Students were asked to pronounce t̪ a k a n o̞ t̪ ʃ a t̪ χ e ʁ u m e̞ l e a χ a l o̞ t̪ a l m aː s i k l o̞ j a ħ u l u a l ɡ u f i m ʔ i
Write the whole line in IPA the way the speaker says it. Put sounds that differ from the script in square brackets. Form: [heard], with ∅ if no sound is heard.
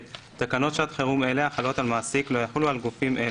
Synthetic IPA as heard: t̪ a k a n o̞ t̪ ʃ a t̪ χ e ʁ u m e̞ l e a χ a l o̞ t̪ a l m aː s i k l o̞ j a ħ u l u a l ɡ u f i m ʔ [e]